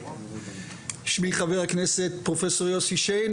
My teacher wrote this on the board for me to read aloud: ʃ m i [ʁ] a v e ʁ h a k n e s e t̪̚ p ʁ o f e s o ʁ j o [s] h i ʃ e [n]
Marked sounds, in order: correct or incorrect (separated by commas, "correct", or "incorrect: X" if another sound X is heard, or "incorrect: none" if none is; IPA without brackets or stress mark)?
incorrect: χ, correct, correct